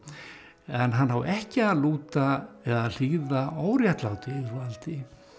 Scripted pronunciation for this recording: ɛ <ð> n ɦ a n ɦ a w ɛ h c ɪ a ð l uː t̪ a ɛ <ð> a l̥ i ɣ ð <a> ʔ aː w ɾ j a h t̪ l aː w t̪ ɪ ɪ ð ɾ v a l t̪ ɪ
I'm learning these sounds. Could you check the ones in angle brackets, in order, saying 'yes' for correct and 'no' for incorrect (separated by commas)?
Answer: no, yes, yes